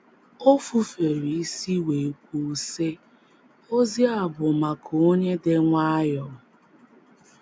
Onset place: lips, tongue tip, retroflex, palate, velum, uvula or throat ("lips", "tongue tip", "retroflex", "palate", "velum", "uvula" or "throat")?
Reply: lips